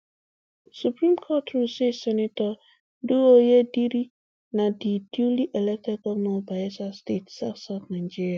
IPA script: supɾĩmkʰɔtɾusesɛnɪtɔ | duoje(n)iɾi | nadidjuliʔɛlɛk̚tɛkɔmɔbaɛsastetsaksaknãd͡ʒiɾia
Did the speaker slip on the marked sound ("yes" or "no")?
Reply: yes